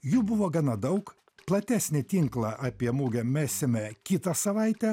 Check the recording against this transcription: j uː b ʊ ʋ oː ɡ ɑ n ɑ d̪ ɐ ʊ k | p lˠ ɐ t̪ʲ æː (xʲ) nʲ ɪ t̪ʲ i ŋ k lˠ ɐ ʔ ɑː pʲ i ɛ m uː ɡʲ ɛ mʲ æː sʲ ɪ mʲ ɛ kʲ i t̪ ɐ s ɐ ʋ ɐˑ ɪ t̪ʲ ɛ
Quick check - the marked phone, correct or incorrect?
incorrect